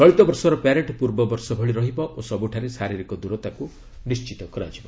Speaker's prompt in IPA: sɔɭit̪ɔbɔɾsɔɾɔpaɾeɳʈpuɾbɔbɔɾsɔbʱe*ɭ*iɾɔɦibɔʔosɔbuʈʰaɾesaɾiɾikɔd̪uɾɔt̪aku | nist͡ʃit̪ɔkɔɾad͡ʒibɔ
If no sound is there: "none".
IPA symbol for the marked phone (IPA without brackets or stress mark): ɭ